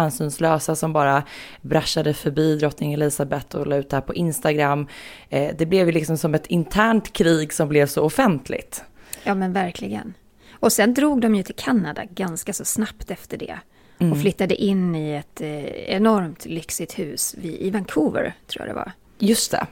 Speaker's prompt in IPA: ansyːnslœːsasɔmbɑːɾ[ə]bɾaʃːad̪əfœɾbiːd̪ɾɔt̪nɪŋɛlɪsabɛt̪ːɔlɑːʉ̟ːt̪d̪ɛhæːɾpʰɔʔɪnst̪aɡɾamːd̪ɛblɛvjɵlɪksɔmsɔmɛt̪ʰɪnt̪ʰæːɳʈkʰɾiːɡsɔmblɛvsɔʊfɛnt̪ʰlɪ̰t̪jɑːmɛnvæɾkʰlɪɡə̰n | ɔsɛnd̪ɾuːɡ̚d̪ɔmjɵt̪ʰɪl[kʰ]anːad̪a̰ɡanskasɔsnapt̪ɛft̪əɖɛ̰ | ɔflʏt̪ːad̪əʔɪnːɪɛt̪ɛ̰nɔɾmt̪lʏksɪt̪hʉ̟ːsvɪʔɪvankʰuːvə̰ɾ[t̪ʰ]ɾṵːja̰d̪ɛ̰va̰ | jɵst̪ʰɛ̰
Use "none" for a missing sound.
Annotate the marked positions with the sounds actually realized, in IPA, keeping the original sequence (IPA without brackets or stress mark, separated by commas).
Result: a, kʰ, t̪ʰ